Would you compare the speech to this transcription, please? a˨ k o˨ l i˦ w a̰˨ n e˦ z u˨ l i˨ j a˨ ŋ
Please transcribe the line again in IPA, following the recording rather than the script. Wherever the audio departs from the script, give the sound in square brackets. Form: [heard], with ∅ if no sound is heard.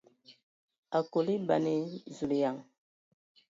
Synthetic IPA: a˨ k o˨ l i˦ [b] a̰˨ n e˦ z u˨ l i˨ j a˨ ŋ